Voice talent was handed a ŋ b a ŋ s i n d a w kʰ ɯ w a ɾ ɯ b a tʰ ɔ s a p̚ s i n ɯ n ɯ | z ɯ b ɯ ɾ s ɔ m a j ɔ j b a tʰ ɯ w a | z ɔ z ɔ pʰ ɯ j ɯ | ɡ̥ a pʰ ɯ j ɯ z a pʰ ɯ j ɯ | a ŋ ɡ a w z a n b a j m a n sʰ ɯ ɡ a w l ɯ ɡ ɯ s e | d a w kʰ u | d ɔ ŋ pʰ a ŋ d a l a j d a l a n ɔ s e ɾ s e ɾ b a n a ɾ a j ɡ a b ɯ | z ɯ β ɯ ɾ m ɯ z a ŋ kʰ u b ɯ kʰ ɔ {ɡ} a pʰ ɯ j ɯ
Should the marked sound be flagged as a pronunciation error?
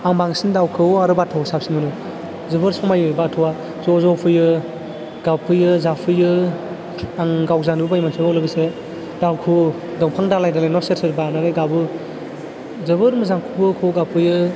no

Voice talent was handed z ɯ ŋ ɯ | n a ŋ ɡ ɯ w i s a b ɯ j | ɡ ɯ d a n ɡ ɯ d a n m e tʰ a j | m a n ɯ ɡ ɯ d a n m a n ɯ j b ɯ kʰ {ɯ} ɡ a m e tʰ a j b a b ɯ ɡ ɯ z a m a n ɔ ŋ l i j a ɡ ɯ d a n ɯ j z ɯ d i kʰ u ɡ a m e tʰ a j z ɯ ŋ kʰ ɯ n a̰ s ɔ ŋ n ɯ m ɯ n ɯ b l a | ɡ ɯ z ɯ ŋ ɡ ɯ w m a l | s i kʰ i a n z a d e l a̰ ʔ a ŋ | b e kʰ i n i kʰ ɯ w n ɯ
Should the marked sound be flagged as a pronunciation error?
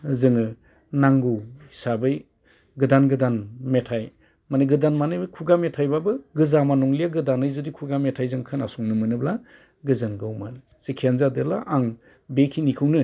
yes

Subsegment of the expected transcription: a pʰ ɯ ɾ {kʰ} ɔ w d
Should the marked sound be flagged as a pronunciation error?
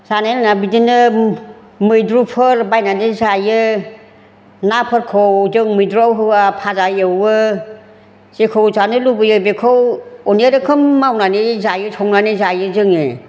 no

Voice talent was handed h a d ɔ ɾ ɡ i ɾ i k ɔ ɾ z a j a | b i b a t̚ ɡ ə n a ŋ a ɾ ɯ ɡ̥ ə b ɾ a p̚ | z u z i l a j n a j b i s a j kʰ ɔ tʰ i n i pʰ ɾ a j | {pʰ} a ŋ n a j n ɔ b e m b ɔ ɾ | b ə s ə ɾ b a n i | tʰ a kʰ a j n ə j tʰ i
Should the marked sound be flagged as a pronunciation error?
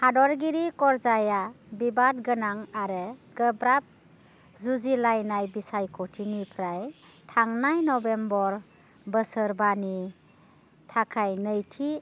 yes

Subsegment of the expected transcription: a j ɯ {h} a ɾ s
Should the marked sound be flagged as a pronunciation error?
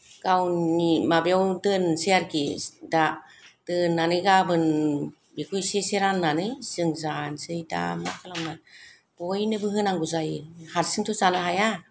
no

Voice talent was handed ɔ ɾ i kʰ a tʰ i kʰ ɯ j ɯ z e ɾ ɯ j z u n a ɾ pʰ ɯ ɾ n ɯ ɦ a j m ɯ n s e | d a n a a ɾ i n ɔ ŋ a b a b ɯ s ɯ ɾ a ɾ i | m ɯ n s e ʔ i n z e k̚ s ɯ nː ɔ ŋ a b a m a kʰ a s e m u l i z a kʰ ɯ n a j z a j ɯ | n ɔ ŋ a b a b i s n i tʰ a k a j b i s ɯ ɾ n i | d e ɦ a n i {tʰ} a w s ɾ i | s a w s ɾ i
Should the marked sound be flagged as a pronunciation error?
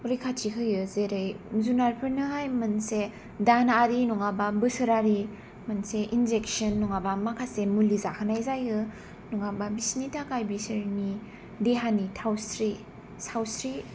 no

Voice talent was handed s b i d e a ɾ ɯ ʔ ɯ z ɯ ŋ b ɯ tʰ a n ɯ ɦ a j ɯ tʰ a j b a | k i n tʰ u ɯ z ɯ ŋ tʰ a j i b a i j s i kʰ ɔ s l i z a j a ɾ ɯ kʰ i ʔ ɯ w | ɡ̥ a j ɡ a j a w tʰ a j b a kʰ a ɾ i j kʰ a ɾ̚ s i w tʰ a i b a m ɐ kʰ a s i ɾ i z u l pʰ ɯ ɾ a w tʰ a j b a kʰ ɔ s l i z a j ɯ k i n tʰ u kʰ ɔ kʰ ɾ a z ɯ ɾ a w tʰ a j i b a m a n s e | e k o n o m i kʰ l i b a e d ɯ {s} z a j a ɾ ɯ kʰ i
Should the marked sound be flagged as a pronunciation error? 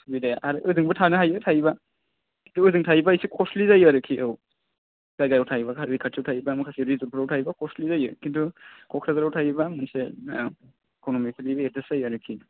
no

